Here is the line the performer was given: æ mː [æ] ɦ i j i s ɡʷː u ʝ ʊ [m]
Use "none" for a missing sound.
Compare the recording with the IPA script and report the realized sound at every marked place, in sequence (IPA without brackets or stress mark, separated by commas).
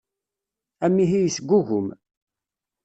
i, m